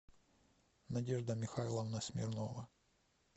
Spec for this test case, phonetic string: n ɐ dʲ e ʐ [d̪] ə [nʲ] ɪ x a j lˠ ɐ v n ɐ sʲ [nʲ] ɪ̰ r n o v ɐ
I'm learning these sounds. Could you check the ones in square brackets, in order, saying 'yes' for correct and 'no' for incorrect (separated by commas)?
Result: yes, no, no